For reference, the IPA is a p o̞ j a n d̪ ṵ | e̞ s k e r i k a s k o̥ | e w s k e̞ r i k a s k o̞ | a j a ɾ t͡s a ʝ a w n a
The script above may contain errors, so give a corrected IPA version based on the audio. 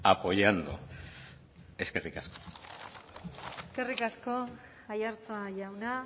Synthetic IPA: a p o̞ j a n d̪ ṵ | e̞ s k e r i k a s k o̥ | e s k e̞ r i k a s k o̞ | a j a ɾ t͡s a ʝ a w n a